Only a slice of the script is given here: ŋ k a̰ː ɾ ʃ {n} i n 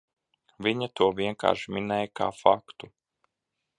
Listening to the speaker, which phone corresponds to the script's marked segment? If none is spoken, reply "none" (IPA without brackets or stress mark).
m